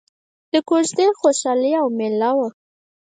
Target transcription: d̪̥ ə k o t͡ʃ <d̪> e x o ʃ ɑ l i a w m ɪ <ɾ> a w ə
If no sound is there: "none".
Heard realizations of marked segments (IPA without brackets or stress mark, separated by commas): d̪, l